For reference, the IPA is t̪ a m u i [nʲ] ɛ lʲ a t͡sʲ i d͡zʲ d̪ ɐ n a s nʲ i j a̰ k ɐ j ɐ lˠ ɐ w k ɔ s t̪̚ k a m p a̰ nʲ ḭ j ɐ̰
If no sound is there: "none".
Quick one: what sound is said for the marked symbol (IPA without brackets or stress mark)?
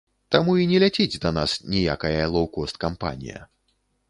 nʲ